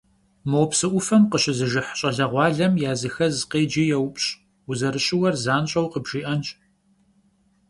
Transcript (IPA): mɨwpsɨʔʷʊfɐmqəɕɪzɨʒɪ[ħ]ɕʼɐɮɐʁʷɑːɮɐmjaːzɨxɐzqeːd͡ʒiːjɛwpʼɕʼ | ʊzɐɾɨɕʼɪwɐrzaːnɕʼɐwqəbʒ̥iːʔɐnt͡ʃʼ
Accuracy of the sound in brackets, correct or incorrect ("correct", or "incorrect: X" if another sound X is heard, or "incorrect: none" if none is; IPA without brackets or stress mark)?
correct